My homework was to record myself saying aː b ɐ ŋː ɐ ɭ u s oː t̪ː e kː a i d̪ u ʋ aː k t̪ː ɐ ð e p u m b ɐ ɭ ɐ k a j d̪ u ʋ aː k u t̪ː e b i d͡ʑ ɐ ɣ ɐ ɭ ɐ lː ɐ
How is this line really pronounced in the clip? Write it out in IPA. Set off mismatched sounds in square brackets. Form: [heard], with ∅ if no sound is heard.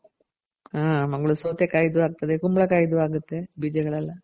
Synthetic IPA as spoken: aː [m] ɐ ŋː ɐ ɭ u s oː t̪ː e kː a [j] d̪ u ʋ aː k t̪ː ɐ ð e [k] u m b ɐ ɭ ɐ k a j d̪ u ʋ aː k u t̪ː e b i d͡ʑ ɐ ɣ ɐ ɭ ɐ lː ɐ